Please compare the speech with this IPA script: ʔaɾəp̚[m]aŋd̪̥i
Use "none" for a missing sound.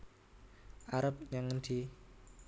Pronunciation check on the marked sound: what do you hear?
ɲ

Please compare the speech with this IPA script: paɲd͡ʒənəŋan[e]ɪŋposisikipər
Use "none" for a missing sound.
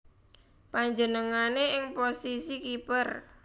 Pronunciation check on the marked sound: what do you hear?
e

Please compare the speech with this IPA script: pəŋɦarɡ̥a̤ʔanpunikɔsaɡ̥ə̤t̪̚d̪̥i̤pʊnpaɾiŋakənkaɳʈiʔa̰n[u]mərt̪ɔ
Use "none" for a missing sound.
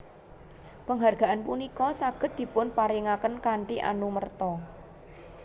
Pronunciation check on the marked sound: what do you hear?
u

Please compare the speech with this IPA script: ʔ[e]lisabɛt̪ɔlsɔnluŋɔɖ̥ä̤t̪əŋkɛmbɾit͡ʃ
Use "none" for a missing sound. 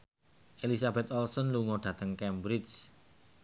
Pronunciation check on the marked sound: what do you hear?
e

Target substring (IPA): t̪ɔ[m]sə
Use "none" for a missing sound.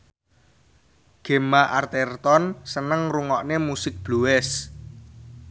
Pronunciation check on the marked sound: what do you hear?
n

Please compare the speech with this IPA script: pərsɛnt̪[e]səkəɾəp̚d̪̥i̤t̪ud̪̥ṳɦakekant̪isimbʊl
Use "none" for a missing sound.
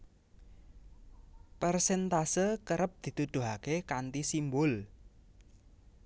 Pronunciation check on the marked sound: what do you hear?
a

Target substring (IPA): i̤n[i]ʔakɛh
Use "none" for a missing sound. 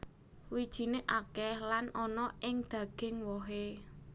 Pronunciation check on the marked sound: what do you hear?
e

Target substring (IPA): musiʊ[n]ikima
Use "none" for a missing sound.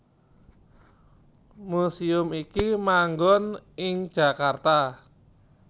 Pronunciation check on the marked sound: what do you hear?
m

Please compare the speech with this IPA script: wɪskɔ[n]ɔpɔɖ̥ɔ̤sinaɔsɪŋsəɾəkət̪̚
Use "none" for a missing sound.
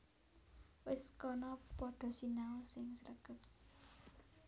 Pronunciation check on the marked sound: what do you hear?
n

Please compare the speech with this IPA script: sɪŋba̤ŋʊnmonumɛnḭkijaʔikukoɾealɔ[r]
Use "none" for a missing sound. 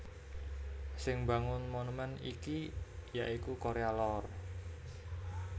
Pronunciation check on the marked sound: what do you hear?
r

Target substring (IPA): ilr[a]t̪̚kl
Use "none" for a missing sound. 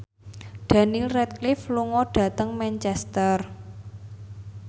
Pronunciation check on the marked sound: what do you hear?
ɛ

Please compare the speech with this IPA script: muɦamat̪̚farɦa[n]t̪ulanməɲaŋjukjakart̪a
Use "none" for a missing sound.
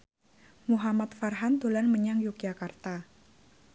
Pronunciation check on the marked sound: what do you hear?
n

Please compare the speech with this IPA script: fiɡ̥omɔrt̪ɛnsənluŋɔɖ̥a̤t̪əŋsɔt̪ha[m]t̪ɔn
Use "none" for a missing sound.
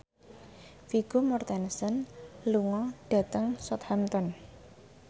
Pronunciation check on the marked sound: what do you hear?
m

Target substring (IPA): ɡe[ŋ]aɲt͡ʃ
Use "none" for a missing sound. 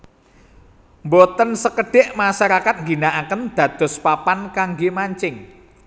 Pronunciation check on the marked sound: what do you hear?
m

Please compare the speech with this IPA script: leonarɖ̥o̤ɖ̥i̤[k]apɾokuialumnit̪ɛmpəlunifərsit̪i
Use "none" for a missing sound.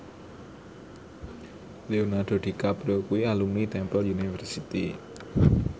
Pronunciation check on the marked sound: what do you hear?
k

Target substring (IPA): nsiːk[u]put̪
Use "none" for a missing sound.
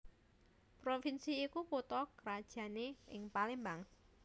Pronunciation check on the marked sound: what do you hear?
u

